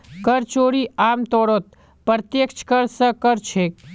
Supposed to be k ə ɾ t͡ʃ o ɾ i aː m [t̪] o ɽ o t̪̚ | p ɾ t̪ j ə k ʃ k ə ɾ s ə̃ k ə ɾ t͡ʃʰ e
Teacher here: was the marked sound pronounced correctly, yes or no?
yes